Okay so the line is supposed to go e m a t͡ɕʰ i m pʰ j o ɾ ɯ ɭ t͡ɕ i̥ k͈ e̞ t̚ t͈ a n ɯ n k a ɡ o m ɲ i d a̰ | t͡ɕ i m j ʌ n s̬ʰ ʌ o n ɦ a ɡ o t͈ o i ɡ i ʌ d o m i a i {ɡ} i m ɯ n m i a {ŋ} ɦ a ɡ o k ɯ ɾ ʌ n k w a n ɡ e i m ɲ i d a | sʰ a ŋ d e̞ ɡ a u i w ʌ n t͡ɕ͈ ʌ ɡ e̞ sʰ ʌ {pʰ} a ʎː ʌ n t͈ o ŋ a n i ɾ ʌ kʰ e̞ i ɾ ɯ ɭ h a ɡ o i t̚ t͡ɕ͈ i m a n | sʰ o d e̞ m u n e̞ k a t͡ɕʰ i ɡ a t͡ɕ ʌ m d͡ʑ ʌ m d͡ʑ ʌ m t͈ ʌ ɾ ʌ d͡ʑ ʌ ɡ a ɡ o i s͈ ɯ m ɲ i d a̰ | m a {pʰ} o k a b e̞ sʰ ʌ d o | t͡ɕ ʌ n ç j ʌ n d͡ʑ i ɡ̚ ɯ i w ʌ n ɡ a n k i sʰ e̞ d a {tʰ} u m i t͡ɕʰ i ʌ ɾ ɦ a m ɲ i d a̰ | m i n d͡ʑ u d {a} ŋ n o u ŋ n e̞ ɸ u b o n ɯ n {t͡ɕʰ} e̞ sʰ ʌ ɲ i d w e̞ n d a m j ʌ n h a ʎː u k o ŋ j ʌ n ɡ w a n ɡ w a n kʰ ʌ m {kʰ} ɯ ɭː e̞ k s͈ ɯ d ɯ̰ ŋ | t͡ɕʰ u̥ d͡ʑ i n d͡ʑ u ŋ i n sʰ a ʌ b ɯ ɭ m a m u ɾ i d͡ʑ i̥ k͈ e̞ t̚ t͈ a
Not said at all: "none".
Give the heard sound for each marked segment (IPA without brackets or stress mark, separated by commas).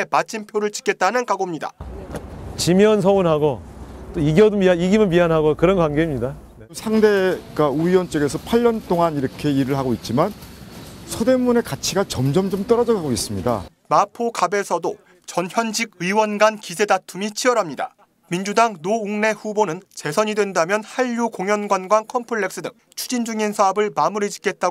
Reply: ɡ, n, pʰ, pʰ, tʰ, a, t͡ɕ, pʰ